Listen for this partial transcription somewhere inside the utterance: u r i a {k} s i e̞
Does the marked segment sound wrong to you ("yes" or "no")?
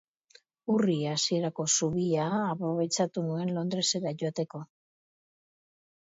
yes